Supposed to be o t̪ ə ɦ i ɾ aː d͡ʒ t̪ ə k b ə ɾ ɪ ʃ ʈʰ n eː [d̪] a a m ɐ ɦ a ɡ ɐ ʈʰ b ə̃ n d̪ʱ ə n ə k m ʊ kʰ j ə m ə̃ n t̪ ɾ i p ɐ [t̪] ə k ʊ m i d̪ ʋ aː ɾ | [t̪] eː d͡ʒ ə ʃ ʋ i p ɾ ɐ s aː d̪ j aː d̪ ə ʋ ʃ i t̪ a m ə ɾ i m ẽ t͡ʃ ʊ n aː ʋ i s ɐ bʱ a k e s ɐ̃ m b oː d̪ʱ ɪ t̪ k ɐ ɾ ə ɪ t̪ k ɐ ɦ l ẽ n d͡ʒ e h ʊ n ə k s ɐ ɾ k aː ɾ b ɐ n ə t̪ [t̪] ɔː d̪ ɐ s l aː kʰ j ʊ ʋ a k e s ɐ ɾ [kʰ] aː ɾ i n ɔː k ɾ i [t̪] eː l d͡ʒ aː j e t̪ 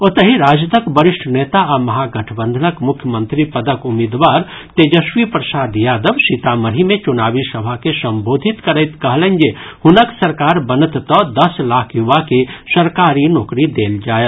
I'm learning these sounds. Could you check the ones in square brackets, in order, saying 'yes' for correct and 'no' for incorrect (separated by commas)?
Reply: no, no, yes, yes, no, no